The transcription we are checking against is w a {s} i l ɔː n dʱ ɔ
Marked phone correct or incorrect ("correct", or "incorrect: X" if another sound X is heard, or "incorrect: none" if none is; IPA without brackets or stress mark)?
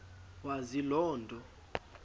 incorrect: z